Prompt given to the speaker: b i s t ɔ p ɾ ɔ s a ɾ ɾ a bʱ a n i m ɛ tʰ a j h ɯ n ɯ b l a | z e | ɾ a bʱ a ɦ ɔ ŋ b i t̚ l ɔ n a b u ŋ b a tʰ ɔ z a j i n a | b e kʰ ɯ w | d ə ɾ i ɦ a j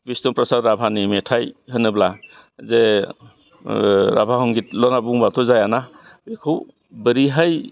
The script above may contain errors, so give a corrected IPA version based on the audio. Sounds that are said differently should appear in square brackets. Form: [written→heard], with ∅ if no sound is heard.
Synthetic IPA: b i s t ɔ p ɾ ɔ s a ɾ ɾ a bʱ a n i m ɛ tʰ a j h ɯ n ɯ b l a | z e | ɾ a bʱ a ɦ ɔ ŋ [b→ɡ] i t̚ l ɔ n a b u ŋ b a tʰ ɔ z a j [i→a] n a | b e kʰ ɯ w | [d→b] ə ɾ i ɦ a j